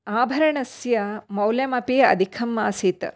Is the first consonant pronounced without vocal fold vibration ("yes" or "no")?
no